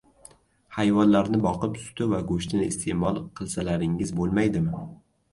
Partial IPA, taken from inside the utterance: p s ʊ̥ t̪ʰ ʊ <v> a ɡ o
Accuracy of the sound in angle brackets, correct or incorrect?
correct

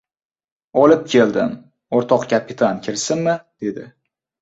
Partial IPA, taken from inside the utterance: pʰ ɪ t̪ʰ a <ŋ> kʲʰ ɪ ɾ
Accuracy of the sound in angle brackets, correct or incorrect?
incorrect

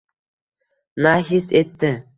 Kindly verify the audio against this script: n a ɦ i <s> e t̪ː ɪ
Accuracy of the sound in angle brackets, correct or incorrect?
correct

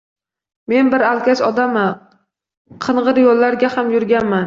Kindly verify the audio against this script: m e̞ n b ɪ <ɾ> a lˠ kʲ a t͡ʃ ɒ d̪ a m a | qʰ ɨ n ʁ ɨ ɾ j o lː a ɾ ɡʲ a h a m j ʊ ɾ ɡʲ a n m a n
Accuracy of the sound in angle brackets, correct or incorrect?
correct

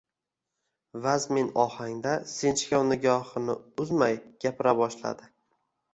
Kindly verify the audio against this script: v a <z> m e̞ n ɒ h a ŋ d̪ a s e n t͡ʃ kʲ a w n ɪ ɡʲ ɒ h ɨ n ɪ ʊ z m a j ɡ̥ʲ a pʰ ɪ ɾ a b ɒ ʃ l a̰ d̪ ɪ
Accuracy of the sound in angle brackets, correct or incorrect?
correct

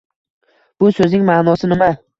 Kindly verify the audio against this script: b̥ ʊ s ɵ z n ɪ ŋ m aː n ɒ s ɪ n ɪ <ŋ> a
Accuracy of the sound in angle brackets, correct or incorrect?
incorrect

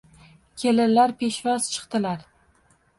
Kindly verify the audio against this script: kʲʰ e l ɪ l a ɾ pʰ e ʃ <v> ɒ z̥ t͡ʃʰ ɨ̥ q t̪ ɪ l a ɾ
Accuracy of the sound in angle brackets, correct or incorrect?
correct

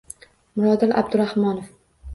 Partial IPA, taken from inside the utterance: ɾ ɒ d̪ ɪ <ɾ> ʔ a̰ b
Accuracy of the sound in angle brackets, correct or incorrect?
incorrect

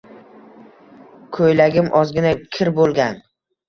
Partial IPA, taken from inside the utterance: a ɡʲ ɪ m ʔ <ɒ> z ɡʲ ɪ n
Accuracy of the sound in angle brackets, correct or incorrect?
correct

